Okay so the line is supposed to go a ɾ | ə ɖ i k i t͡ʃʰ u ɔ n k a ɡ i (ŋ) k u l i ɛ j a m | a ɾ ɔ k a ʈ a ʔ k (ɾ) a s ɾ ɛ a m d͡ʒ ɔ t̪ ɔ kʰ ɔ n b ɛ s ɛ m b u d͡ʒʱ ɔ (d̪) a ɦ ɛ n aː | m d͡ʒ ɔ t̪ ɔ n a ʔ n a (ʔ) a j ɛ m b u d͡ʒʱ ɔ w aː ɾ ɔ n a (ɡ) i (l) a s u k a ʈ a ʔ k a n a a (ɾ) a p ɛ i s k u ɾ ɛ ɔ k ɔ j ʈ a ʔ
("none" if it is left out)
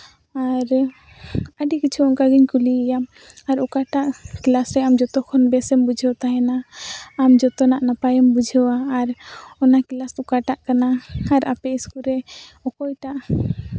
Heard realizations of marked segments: ɲ, l, t̪, p, k, l, ɾ

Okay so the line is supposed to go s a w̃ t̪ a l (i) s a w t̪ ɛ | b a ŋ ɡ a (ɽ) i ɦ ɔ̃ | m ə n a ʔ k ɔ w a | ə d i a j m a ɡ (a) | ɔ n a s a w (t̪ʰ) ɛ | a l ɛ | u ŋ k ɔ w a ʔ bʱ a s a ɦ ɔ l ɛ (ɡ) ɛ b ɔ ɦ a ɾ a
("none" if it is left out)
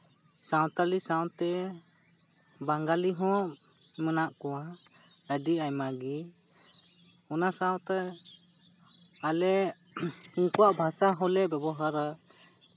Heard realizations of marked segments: i, l, i, t̪, b

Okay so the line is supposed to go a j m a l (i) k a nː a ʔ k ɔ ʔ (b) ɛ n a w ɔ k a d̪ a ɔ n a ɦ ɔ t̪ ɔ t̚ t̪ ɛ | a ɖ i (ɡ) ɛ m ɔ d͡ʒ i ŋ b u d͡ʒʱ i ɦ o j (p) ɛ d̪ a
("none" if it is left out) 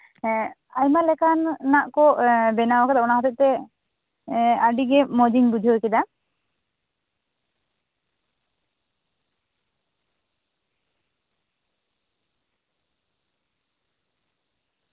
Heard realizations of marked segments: ɛ, b, ɡ, k

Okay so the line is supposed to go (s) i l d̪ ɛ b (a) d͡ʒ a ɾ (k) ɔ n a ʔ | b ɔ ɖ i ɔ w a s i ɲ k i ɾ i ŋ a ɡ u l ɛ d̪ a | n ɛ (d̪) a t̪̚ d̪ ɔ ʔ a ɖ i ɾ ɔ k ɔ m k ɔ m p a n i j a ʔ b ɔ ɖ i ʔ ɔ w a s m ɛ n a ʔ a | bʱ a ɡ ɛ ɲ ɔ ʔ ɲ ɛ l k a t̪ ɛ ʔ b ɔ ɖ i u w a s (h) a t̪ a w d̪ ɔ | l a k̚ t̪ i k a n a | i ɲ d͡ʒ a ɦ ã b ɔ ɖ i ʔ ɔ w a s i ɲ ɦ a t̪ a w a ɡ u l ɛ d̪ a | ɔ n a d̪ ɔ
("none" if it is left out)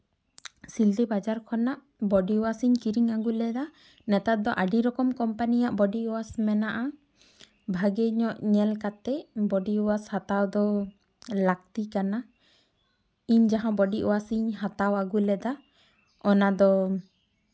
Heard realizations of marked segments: s, a, kʰ, t̪, h

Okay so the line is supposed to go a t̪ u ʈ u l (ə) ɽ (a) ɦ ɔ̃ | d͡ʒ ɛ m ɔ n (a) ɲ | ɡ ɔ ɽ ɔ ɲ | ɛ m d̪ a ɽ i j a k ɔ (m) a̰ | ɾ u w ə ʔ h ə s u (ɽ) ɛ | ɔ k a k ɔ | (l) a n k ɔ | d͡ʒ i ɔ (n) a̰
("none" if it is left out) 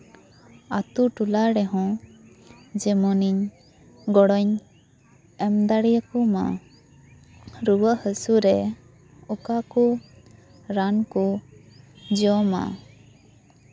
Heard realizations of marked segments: a, ɛ, i, m, ɾ, ɾ, m

